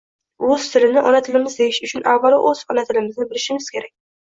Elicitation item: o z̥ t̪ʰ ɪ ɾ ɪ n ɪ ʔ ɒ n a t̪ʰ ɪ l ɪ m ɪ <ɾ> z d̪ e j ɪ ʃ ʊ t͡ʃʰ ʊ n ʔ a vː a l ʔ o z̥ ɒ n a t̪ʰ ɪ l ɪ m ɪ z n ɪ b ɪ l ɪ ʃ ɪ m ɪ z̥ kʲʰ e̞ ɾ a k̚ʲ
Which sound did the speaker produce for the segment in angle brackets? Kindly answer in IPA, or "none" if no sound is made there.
none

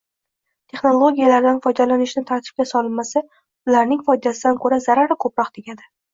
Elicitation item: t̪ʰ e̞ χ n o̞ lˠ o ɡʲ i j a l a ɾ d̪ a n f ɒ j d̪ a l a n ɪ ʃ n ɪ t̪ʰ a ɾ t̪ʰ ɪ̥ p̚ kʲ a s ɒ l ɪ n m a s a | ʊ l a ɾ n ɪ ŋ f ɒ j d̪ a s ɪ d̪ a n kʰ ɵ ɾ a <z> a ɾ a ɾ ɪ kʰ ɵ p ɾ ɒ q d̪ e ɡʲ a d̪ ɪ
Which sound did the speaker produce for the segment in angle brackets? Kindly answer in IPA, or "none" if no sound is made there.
z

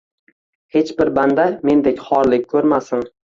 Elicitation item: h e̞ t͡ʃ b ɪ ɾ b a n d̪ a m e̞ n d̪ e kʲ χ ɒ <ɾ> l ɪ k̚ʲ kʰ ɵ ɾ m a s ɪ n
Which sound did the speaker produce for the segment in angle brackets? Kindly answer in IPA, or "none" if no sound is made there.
ɾ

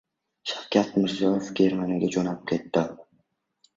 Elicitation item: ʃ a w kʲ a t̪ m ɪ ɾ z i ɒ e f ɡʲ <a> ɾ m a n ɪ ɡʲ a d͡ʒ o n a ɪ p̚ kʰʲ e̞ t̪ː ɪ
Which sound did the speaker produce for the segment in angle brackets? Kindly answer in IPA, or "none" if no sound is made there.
e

